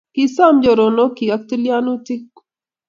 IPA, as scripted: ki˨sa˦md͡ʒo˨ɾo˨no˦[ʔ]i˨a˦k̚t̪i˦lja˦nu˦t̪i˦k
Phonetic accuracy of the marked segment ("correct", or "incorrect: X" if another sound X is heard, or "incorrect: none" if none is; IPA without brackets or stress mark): incorrect: k